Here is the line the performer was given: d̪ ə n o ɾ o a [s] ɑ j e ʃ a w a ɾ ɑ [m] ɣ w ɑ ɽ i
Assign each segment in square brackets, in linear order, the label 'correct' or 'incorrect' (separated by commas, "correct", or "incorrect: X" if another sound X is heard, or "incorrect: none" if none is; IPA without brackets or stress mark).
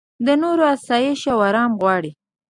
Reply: correct, correct